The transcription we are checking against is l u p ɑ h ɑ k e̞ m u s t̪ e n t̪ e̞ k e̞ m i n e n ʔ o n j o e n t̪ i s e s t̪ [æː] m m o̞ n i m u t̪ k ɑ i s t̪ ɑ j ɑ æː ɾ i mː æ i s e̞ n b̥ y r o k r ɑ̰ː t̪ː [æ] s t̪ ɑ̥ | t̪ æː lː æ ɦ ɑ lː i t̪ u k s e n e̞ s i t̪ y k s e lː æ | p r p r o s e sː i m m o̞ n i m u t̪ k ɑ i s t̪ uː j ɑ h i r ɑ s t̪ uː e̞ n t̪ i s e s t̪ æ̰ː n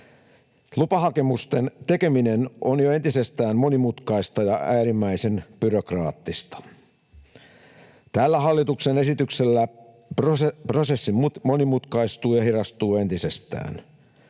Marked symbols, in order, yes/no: yes, no

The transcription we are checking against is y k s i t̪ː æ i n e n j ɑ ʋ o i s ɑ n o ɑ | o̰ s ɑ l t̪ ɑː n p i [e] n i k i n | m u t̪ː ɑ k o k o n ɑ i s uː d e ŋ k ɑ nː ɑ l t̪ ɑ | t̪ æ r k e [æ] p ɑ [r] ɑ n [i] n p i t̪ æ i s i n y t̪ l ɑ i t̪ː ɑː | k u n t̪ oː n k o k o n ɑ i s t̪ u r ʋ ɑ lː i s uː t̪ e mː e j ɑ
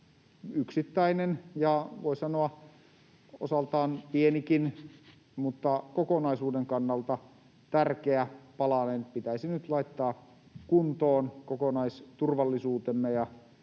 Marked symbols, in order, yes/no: yes, yes, no, no

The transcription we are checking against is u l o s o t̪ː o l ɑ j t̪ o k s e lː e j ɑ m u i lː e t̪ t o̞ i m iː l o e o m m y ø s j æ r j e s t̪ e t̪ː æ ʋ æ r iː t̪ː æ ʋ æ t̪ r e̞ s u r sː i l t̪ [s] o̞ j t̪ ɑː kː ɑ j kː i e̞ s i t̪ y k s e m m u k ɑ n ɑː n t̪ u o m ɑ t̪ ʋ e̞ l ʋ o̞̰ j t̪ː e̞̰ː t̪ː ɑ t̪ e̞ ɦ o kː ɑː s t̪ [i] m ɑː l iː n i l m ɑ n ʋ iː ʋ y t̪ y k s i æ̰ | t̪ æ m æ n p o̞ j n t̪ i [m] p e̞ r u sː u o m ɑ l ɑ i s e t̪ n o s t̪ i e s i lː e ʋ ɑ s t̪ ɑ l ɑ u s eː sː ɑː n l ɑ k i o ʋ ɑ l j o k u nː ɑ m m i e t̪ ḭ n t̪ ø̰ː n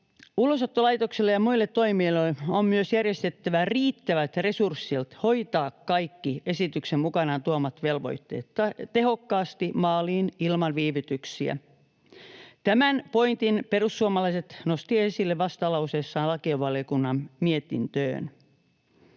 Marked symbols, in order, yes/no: no, yes, no

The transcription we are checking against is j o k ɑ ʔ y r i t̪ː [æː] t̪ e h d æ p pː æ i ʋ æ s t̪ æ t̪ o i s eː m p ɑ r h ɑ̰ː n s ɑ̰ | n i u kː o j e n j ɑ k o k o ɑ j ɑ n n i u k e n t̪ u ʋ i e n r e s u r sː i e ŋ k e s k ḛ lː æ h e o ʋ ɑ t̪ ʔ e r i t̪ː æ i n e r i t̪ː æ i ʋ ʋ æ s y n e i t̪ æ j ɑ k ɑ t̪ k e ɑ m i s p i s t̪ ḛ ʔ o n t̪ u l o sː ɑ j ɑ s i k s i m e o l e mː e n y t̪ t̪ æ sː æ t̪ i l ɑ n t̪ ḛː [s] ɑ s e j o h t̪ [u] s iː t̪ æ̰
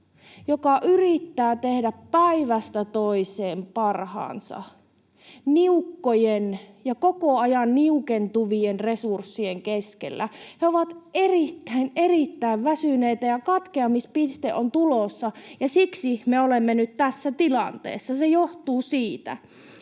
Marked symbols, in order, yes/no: yes, no, no

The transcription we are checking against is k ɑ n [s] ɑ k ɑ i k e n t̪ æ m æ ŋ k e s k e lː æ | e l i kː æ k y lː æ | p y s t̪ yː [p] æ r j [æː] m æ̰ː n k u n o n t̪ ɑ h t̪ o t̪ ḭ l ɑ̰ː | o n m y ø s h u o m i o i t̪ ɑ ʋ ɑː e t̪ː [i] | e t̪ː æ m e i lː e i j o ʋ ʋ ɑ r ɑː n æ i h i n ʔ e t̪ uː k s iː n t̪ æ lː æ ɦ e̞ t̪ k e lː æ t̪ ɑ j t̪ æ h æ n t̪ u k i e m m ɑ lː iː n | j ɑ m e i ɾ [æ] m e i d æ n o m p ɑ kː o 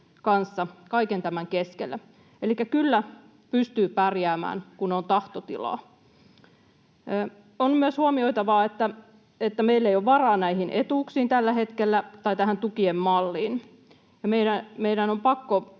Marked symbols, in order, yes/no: no, yes, yes, no, yes

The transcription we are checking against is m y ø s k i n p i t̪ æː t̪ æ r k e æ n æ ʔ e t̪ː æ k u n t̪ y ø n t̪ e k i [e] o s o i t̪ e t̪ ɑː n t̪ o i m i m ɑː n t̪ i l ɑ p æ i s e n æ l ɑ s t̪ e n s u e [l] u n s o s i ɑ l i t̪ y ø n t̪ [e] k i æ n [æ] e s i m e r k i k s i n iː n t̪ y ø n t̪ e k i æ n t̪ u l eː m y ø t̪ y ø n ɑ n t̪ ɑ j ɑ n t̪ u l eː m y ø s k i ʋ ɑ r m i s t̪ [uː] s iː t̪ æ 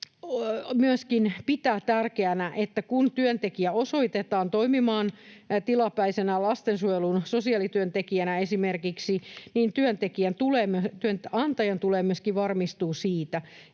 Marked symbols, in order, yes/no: no, yes, yes, yes, yes

